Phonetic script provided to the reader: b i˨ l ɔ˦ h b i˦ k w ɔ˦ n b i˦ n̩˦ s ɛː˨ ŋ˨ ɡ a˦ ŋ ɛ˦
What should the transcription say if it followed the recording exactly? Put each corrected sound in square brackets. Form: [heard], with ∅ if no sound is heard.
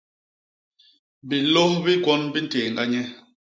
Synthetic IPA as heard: b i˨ l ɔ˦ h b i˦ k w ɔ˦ n b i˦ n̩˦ [t] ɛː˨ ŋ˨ ɡ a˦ [ɲ] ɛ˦